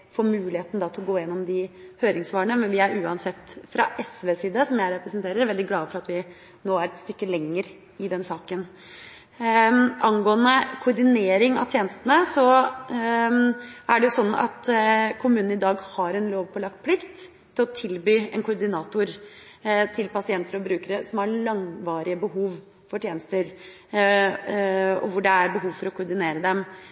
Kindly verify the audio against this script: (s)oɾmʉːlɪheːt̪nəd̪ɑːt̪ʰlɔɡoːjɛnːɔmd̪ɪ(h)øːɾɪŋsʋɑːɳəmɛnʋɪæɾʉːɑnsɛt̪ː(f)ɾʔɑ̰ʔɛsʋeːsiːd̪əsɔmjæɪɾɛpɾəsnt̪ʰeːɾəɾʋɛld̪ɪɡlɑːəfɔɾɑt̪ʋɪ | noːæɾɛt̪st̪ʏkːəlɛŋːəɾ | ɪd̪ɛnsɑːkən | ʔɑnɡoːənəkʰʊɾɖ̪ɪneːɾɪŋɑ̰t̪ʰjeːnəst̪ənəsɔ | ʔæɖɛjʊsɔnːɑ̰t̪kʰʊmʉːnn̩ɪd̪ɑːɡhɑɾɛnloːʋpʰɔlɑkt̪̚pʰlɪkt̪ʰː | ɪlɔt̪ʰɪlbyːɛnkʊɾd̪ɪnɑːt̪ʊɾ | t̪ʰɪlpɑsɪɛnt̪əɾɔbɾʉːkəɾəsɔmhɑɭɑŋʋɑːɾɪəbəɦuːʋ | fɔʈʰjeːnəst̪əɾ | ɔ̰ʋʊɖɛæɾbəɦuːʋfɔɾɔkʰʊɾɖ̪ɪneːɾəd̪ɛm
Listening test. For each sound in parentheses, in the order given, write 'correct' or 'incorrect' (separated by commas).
incorrect, correct, correct